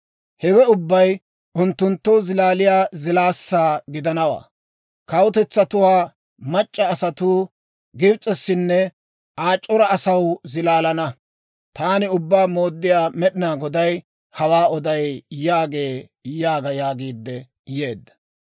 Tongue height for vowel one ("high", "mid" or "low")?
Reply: mid